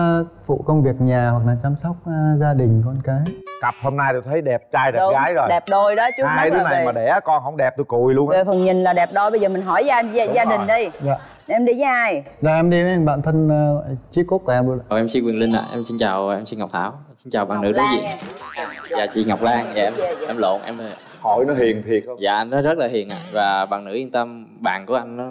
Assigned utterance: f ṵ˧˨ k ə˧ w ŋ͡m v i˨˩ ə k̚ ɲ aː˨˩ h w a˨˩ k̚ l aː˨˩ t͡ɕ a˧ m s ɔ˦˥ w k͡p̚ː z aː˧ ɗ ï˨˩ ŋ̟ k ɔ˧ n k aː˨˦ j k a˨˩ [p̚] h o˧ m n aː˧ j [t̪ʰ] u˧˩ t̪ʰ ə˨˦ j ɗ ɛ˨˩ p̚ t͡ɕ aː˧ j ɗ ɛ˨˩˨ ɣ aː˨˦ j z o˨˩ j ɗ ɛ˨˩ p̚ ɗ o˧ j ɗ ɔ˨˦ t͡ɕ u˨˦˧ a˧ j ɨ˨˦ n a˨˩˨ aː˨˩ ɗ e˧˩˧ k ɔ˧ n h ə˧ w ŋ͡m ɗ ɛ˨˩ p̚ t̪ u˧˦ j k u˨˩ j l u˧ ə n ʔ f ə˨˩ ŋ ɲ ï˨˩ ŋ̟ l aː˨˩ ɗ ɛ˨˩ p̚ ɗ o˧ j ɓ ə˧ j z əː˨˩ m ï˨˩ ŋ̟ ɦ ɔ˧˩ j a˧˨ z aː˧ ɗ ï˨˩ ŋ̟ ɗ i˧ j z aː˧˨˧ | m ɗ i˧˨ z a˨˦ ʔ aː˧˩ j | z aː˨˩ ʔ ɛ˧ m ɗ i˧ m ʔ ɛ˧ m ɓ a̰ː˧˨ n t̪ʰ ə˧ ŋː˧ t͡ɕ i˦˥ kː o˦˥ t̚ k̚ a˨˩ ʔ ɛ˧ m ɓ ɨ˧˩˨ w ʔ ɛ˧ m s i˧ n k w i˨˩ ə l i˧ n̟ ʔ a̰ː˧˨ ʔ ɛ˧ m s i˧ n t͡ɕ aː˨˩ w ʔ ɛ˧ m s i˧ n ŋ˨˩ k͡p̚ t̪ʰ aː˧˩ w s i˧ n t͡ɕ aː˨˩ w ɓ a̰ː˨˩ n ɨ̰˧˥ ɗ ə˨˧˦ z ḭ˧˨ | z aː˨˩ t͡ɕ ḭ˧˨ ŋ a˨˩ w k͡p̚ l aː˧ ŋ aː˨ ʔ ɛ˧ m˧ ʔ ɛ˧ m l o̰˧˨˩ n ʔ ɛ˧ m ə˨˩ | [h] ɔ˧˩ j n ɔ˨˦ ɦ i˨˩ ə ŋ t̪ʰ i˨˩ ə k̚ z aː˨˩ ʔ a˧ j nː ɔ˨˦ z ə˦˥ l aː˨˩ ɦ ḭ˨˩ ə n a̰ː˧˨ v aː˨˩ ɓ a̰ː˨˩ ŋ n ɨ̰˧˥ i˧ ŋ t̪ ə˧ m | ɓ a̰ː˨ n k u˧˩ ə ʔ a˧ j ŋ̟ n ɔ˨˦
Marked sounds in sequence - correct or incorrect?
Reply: correct, incorrect: t̪, correct

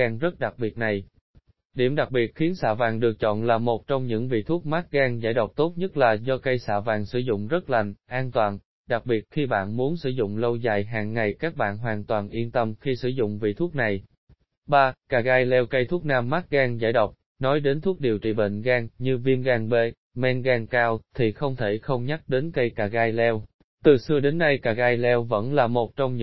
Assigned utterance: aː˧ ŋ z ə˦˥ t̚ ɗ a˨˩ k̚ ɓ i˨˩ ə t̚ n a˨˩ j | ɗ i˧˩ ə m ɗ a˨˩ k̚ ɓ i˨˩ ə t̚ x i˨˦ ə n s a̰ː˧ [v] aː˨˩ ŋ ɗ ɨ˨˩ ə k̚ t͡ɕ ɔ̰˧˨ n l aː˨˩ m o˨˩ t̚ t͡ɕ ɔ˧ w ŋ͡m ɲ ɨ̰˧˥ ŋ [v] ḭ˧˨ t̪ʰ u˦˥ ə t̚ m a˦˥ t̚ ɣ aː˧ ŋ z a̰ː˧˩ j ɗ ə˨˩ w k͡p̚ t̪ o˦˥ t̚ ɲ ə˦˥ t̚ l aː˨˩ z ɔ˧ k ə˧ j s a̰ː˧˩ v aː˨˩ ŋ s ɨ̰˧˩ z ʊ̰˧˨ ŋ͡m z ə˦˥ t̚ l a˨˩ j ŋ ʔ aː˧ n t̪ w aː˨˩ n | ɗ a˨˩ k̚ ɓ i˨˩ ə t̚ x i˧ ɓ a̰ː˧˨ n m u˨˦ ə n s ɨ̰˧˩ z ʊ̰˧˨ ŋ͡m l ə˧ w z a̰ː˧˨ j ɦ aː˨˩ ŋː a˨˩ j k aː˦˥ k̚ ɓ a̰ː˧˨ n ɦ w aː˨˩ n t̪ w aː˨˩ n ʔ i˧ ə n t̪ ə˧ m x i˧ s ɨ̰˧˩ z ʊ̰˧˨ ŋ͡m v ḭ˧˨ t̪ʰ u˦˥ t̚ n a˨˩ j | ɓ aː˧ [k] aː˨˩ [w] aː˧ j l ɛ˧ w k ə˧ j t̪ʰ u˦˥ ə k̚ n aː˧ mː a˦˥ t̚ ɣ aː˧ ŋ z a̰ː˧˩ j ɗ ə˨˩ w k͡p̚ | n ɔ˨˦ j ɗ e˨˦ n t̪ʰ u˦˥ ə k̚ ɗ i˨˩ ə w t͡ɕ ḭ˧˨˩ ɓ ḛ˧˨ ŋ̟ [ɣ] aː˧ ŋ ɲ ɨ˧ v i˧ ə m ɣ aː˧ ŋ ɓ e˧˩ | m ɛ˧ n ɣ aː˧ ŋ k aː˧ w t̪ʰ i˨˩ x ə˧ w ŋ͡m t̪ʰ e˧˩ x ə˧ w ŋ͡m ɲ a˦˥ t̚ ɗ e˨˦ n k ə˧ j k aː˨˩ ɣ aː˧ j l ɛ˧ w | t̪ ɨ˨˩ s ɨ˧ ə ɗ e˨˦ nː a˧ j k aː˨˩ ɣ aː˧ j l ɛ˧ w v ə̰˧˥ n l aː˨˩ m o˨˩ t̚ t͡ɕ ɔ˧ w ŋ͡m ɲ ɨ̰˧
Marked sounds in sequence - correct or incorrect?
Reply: correct, correct, correct, incorrect: ɣ, correct

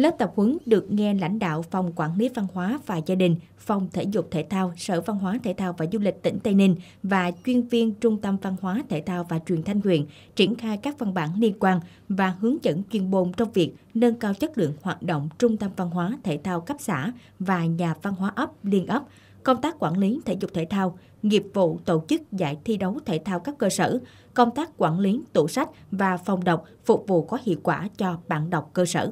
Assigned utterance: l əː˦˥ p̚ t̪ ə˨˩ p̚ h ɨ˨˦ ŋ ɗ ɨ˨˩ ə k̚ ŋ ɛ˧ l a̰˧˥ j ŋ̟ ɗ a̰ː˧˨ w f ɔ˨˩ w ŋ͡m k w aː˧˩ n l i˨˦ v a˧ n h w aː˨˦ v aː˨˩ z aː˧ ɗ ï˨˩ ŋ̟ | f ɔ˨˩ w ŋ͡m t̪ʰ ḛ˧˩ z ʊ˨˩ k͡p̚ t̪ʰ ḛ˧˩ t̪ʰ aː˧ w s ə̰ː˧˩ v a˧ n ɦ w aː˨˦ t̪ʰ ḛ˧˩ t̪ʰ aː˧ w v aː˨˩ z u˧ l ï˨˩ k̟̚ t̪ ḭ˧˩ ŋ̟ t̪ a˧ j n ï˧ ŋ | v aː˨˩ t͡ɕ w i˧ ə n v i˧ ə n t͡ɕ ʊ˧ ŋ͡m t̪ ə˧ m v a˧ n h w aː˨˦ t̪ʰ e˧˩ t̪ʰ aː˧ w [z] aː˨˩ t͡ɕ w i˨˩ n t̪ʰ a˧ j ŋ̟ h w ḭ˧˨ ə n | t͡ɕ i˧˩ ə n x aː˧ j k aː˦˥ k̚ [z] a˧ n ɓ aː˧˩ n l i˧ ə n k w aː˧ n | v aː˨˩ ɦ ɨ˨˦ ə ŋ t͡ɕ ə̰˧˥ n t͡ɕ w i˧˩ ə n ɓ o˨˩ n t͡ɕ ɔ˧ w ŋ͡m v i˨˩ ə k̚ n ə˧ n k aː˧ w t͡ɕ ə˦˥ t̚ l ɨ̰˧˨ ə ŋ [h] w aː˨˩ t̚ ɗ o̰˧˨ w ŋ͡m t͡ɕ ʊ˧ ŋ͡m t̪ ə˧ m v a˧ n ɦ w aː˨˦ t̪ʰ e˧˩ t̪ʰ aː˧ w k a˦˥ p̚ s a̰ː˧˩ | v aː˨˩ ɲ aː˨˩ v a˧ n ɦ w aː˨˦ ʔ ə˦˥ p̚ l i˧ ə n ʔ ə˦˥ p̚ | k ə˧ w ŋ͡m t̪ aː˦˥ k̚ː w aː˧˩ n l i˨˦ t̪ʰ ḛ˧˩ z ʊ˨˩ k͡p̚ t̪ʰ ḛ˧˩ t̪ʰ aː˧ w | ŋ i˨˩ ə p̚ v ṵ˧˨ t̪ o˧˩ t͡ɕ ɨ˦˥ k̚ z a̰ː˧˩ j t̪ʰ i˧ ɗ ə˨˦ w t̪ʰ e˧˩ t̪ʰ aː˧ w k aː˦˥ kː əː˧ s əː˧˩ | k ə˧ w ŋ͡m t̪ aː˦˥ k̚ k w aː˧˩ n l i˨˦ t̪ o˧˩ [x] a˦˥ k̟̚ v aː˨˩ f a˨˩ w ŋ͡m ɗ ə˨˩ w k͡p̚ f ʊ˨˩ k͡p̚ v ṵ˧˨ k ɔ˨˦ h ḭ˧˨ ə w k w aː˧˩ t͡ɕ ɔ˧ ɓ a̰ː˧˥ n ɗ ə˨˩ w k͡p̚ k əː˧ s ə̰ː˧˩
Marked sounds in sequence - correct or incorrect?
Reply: incorrect: v, incorrect: v, correct, incorrect: s

